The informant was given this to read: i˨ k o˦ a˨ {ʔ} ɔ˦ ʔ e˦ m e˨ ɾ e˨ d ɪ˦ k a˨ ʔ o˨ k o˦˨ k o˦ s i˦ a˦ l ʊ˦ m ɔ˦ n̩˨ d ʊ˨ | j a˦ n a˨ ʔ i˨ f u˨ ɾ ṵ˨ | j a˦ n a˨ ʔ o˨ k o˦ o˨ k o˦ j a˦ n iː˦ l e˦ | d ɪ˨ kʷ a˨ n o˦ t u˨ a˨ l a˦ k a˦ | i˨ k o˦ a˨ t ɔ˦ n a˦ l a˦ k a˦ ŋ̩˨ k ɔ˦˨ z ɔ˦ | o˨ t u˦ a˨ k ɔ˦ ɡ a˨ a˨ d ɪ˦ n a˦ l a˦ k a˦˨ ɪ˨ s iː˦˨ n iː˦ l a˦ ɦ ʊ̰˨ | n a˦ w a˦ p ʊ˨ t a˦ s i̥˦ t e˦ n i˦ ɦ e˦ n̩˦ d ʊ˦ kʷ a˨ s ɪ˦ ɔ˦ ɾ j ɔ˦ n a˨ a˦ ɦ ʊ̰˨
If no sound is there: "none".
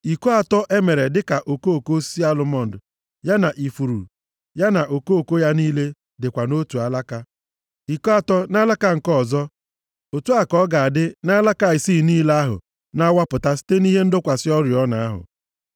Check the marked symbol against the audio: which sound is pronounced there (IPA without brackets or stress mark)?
t